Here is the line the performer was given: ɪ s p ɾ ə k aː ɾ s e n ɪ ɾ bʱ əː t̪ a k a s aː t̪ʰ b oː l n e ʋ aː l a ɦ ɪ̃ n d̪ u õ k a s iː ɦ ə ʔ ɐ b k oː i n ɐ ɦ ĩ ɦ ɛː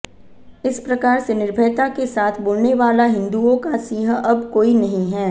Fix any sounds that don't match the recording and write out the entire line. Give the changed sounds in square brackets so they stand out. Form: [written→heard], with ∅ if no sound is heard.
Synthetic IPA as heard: ɪ s p ɾ [ə→ɐ] k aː ɾ s e n ɪ ɾ bʱ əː t̪ a k [a→e] s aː t̪ʰ b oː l n e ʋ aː l a ɦ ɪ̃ n d̪ u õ k a s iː ɦ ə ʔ ɐ b k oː i n ɐ ɦ ĩ ɦ ɛː